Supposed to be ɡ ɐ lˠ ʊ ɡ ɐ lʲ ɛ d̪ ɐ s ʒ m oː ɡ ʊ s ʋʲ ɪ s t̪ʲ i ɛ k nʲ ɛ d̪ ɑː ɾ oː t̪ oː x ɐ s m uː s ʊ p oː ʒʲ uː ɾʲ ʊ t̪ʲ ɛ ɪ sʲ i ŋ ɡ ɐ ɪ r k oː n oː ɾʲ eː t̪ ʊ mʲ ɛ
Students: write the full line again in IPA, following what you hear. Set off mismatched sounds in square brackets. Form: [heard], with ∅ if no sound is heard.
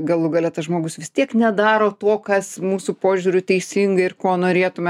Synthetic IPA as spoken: ɡ ɐ lˠ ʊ ɡ ɐ lʲ ɛ [t̪] ɐ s ʒ m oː ɡ ʊ s ʋʲ ɪ s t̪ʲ i ɛ k nʲ ɛ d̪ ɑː ɾ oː t̪ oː [k] ɐ s m uː s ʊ p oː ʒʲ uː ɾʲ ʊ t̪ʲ ɛ ɪ sʲ i ŋ ɡ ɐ ɪ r k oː n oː ɾʲ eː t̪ ʊ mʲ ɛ